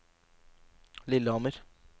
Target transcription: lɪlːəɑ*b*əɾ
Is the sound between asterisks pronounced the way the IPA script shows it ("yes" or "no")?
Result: no